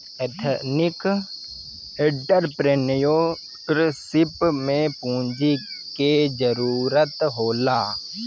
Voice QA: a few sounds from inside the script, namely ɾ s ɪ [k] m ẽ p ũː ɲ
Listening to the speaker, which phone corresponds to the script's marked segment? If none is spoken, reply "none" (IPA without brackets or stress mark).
p